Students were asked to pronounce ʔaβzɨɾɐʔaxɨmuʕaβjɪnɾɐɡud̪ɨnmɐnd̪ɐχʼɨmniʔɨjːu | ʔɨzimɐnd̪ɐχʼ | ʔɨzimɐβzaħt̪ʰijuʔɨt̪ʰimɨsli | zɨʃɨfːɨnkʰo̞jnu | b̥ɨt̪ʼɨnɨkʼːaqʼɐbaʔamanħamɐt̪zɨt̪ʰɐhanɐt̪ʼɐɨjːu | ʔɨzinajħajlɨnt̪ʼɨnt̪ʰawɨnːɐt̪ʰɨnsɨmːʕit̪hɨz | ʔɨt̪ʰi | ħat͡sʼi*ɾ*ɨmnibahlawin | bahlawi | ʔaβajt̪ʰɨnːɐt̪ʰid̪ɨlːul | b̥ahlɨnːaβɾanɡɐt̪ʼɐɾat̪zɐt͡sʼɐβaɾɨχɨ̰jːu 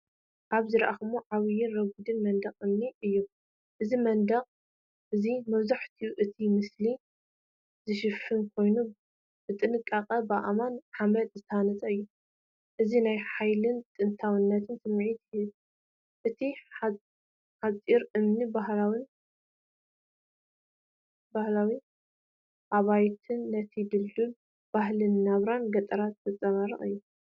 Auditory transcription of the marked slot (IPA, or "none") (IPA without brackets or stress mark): ɾ